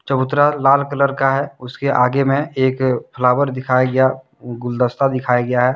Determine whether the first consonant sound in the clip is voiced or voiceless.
voiceless